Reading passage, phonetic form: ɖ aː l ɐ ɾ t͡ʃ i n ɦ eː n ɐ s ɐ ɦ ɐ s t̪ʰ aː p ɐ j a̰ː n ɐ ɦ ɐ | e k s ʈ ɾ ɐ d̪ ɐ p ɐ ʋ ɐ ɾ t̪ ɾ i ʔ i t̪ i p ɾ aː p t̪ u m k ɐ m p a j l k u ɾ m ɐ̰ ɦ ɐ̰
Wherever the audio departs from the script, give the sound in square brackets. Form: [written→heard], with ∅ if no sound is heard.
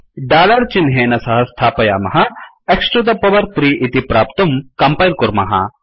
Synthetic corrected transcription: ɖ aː l ɐ ɾ t͡ʃ i n ɦ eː n ɐ s ɐ ɦ ɐ s t̪ʰ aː p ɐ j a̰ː [n→m] ɐ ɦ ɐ | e k s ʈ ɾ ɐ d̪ ɐ p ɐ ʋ ɐ ɾ t̪ ɾ i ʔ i t̪ i p ɾ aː p t̪ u m k ɐ m p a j l k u ɾ m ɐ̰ ɦ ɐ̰